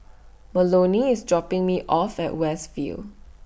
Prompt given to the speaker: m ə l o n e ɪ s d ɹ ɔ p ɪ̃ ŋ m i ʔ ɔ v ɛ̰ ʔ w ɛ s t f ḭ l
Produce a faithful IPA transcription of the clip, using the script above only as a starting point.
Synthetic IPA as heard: m ə l o n i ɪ s d ɹ ɔ p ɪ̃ ŋ m i ʔ ɔ f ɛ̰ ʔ w ɛ s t f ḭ l